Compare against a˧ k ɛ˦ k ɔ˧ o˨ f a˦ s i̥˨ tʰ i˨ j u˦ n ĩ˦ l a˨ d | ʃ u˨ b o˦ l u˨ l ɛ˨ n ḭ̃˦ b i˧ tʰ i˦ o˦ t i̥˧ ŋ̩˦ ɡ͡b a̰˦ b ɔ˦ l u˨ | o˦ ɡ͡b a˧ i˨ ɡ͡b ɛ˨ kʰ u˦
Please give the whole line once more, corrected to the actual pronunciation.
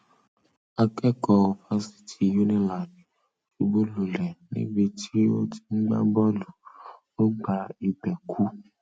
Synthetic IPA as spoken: a˧ k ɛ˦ k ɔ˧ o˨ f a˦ s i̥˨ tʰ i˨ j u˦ n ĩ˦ l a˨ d | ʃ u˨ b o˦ l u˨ l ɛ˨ n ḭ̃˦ b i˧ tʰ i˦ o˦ t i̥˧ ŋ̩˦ ɡ͡b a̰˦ b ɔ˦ l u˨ | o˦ ɡ͡b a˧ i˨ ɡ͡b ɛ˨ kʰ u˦

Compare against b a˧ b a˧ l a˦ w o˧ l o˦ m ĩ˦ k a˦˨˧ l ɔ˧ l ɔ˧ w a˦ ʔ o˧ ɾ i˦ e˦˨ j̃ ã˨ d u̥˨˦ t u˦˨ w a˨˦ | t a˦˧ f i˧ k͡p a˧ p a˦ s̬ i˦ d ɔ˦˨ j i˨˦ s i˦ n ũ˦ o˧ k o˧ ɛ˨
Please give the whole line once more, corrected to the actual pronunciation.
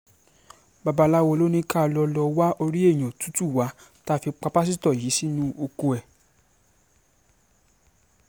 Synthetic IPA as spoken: b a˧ b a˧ l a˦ w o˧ l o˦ n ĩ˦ k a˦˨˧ l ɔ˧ l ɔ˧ w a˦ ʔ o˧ ɾ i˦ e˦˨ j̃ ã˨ t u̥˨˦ t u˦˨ w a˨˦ | t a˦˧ f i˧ k͡p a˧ p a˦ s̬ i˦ t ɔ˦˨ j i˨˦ s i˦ n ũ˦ o˧ k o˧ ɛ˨

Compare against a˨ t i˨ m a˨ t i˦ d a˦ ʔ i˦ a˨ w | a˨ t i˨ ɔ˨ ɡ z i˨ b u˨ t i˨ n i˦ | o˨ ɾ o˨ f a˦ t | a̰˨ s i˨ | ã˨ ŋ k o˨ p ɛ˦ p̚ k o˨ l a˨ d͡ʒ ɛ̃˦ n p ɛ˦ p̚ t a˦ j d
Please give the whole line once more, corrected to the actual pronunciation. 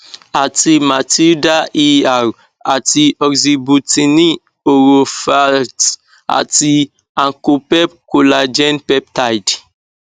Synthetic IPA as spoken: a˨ t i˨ m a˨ t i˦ d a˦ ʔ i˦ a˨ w | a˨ t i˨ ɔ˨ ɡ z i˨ b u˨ t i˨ n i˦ | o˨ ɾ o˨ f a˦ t | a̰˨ t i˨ | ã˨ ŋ k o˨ p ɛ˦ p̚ k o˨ l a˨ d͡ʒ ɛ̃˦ n p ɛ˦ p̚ t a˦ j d

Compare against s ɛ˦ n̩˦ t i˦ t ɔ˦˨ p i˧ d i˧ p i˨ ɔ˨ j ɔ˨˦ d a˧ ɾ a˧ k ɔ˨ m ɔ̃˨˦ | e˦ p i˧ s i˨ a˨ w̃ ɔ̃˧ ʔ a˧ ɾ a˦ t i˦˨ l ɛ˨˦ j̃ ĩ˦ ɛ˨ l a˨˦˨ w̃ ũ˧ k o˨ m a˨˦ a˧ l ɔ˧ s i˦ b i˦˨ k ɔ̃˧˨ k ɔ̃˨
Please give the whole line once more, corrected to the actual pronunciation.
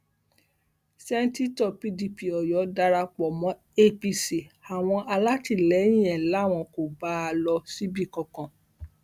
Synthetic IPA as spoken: s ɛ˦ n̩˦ t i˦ t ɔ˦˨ p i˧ d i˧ p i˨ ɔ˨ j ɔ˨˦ d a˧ ɾ a˧ k͡p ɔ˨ m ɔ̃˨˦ | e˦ p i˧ s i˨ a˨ w̃ ɔ̃˧ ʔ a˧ l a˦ t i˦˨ l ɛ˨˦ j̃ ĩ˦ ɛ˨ l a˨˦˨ w̃ ɔ̃˧ k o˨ b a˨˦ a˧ l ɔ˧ s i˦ b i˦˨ k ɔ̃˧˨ k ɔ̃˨

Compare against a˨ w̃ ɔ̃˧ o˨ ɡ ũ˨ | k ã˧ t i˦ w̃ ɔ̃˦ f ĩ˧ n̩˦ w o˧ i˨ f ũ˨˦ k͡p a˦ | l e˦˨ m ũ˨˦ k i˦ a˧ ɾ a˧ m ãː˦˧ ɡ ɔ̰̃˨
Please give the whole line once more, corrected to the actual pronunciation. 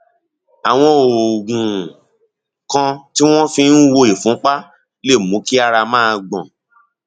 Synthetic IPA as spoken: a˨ w̃ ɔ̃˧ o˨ ɡ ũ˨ | k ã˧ t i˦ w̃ ɔ̃˦ f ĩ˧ n̩˦ w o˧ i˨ f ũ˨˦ k͡p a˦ | l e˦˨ m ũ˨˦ k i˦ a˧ ɾ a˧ m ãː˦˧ ɡ͡b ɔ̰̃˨

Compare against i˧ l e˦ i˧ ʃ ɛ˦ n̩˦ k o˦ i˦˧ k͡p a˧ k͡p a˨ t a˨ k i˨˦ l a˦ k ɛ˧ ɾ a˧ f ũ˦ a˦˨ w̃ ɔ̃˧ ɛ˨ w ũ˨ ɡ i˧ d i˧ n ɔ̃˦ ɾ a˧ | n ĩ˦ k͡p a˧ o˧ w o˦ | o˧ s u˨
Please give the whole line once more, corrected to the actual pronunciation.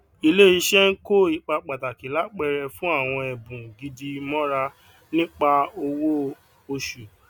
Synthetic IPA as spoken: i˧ l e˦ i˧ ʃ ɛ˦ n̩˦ k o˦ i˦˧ k͡p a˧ k͡p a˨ t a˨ k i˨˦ l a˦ k͡p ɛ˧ ɾ ɛ˧ f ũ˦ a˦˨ w̃ ɔ̃˧ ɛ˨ b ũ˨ ɡ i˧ d i˧ m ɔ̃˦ ɾ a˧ | n ĩ˦ k͡p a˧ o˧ w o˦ | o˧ ʃ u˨

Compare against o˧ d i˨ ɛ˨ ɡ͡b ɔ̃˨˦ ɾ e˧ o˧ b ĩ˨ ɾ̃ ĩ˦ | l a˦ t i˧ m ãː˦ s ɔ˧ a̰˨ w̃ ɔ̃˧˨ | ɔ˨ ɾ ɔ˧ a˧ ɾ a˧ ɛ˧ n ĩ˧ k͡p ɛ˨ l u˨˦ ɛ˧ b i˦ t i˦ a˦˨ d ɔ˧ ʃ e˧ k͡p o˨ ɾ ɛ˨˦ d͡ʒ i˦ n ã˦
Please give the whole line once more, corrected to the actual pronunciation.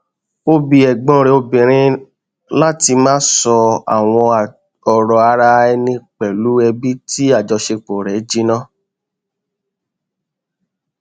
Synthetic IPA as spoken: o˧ b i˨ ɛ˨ ɡ͡b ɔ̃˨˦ ɾ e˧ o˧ b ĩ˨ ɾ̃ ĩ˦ | l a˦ t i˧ m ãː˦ s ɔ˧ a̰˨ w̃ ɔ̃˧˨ | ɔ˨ ɾ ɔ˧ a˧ ɾ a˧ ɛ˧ n ĩ˧ k͡p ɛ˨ l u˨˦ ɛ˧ b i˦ t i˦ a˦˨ d͡ʒ ɔ˧ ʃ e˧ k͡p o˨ ɾ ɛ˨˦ d͡ʒ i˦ n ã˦

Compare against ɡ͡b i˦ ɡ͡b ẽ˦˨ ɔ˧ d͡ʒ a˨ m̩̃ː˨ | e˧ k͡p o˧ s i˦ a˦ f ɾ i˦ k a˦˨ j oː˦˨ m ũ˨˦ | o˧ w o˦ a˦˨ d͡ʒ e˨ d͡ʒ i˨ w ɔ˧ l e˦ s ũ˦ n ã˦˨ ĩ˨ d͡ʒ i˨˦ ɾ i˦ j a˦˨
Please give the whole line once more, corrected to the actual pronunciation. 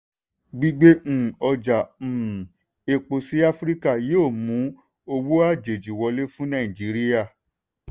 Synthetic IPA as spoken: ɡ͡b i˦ ɡ͡b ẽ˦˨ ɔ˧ d͡ʒ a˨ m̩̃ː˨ | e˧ k͡p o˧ s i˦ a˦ f ɾ i˦ k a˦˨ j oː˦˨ m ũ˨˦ | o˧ w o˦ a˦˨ d͡ʒ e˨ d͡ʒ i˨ w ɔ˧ l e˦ f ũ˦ n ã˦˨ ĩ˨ d͡ʒ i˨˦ ɾ i˦ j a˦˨

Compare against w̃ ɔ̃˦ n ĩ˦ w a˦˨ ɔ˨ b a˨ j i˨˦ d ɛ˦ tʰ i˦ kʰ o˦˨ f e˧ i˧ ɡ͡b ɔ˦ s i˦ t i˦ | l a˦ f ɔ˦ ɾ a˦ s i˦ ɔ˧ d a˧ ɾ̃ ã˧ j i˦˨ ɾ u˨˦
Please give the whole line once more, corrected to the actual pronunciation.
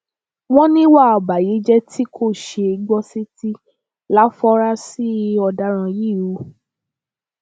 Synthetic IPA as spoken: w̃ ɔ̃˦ n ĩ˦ w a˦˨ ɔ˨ b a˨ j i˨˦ d͡ʒ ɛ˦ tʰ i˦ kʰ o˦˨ ʃ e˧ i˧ ɡ͡b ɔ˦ s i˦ t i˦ | l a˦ f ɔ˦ ɾ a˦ s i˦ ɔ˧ d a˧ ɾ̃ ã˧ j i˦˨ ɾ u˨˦

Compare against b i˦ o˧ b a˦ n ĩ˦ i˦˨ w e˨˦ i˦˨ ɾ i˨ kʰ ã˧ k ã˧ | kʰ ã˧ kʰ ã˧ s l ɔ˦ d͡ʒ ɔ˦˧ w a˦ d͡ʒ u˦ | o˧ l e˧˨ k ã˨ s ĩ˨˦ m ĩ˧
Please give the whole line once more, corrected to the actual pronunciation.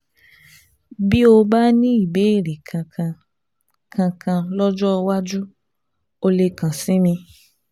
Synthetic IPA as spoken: b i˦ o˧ b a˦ n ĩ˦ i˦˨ b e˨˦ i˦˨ ɾ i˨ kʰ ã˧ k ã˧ | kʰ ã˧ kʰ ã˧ l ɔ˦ d͡ʒ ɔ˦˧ w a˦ d͡ʒ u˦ | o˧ l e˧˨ k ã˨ s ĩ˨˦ m ĩ˧

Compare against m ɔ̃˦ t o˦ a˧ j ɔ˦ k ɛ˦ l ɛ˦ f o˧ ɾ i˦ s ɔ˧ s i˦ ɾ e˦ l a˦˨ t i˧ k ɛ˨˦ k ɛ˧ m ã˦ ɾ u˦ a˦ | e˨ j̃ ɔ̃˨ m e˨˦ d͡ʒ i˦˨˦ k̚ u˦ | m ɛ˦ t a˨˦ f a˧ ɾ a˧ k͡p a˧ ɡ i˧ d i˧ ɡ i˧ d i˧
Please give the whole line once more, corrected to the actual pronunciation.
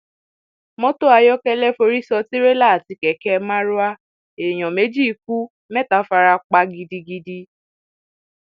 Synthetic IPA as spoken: m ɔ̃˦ t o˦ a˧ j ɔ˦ k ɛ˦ l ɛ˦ f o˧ ɾ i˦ s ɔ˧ t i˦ ɾ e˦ l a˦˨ t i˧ k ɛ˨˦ k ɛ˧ m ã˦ ɾ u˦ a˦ | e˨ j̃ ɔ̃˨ m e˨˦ d͡ʒ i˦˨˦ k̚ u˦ | m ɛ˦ t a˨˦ f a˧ ɾ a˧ k͡p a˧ ɡ i˧ d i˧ ɡ i˧ d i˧

